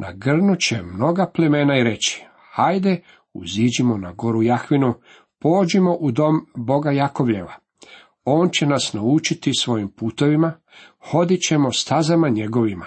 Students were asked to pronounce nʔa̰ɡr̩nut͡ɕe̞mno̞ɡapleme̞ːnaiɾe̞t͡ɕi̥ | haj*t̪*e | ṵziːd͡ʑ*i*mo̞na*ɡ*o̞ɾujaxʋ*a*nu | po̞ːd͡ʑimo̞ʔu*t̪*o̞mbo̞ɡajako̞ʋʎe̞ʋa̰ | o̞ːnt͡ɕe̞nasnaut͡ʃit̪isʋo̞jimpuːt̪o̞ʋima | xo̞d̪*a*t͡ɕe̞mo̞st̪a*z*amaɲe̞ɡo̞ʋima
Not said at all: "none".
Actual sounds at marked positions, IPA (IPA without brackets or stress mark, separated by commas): d̪, i, ɡ, i, d̪, i, z